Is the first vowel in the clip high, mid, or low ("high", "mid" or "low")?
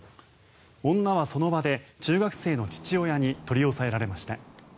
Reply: mid